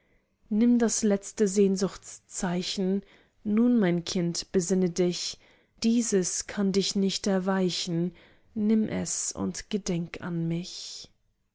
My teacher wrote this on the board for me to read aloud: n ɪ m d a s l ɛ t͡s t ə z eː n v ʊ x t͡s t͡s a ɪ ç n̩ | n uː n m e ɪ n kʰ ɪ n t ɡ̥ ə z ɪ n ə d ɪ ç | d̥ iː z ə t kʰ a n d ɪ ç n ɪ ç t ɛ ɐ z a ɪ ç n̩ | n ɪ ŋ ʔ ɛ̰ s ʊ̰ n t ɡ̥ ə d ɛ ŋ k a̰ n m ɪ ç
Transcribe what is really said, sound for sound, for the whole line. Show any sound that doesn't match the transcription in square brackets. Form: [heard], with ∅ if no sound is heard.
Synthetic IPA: n ɪ m d a s l ɛ t͡s t ə z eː n [z] ʊ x t͡s t͡s a ɪ ç n̩ | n uː n m [a] ɪ n kʰ ɪ n t [b̥] ə z ɪ n ə d ɪ ç | d̥ iː z ə [s] kʰ a n d ɪ ç n ɪ ç t ɛ ɐ [v] a ɪ ç n̩ | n ɪ [m] ʔ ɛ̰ s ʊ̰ n t ɡ̥ ə d ɛ ŋ k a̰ n m ɪ ç

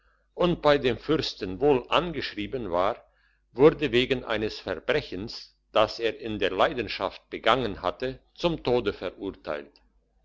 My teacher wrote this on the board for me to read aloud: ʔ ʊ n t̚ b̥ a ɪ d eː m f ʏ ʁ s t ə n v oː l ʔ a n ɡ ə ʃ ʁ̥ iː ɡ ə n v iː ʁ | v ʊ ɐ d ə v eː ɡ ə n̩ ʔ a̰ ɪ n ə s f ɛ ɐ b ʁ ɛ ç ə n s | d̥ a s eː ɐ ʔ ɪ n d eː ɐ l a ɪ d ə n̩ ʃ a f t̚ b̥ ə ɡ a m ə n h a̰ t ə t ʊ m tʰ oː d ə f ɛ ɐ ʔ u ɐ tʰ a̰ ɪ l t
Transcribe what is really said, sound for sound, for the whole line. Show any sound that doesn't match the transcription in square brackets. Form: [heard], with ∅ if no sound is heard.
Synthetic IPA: ʔ ʊ n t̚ b̥ a ɪ d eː m f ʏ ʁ s t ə n v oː l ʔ a n ɡ ə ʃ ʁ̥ iː [b] ə n v [aː] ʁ | v ʊ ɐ d ə v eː ɡ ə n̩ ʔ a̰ ɪ n ə s f ɛ ɐ b ʁ ɛ ç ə n s | d̥ a s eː ɐ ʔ ɪ n d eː ɐ l a ɪ d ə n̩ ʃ a f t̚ b̥ ə ɡ a [ŋ] ə n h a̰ t ə [t͡s] ʊ m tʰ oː d ə f ɛ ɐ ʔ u ɐ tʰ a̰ ɪ l t

